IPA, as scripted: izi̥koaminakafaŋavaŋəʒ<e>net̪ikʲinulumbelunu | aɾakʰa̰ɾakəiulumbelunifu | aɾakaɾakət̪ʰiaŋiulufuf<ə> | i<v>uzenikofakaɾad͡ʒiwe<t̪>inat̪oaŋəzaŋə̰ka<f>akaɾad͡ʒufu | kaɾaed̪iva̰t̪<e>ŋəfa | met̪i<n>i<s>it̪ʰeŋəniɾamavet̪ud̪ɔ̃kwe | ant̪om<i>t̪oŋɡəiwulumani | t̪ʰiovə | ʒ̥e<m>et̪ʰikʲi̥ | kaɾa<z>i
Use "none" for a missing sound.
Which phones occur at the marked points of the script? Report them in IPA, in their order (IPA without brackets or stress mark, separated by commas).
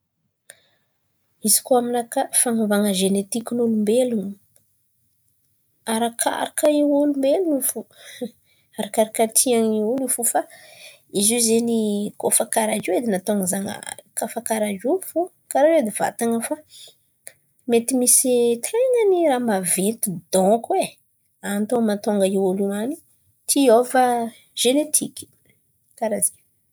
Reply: e, a, z, d̪, f, a, m, s, a, n, z